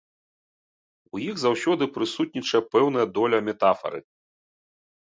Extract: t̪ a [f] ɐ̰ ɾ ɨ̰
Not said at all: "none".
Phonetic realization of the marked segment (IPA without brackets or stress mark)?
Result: f